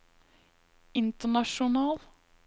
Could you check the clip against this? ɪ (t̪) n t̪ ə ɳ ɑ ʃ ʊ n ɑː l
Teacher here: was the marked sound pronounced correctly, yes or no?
no